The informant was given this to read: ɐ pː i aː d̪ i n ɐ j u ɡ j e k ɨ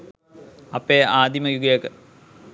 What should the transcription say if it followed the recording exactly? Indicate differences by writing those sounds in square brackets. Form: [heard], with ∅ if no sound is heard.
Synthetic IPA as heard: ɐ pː [e] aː d̪ i [m] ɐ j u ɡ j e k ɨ

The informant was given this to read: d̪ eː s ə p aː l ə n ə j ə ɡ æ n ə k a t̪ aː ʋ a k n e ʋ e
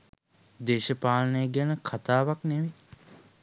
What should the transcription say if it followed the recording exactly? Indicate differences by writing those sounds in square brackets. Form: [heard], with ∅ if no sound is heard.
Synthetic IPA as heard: d̪ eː [ʃ] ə p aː l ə n ə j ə ɡ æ n ə [kʰ] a t̪ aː ʋ a k n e ʋ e

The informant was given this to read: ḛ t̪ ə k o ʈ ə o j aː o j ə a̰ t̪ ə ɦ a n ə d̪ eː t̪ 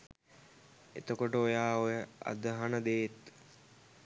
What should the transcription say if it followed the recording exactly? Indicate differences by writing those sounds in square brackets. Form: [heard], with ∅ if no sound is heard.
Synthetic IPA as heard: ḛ t̪ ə k o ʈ ə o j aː o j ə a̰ [d̪] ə ɦ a n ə d̪ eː t̪

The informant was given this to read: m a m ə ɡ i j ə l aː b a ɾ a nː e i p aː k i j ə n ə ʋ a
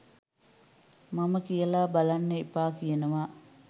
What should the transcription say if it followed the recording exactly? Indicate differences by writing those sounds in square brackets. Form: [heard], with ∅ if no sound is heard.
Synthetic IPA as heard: m a m ə [k] i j ə l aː b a [l] a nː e i p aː k i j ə n ə ʋ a

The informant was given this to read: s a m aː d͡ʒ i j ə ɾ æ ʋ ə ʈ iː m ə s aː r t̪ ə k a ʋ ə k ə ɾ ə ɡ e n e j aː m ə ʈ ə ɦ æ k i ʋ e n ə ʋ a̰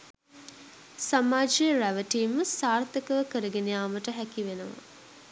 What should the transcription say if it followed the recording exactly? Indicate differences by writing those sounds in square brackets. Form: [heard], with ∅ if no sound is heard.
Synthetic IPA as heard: s a m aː d͡ʒ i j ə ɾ æ ʋ ə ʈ iː m ə s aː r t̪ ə k [ə] ʋ ə k ə ɾ ə ɡ e n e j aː m ə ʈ ə ɦ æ k i ʋ e n ə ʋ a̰

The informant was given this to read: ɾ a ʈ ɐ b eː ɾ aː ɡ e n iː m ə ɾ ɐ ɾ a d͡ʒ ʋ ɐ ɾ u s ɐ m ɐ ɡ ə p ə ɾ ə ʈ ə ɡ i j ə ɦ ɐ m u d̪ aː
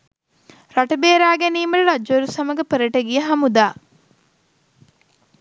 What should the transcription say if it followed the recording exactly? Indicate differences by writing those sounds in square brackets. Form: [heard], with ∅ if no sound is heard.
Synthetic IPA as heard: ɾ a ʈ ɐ b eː ɾ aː ɡ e n iː m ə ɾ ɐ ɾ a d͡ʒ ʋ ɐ ɾ u s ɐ m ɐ ɡ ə p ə ɾ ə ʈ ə ɡ i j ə ɦ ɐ m u d̪ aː

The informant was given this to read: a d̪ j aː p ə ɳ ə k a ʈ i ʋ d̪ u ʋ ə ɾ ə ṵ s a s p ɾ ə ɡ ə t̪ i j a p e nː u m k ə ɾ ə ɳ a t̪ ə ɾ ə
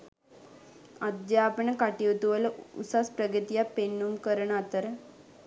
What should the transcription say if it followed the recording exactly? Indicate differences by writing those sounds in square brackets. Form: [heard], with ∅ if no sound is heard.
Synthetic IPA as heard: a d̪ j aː p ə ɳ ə k a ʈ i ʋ [t̪] u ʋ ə [l] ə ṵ s a s p ɾ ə ɡ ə t̪ i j a p e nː u m k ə ɾ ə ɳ a t̪ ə ɾ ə

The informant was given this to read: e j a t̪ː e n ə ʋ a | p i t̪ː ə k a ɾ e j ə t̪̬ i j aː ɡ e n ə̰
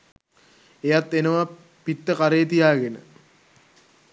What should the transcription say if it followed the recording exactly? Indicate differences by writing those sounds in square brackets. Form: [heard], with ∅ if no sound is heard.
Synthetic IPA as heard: e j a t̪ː e n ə ʋ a | p i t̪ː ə k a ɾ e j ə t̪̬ i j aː ɡ e n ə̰

